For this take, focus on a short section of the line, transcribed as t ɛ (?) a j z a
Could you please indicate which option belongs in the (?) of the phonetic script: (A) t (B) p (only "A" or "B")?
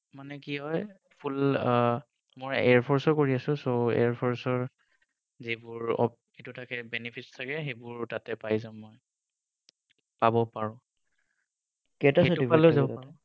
B